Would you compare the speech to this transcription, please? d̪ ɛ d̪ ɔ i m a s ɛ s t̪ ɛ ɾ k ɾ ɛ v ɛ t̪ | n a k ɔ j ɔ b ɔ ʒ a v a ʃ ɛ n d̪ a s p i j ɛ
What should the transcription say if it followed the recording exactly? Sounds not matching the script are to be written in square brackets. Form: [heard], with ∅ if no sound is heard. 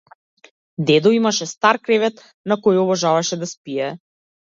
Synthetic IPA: d̪ ɛ d̪ ɔ i m a [ʃ] ɛ s t̪ [a] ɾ k ɾ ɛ v ɛ t̪ | n a k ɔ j ɔ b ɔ ʒ a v a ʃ ɛ [∅] d̪ a s p i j ɛ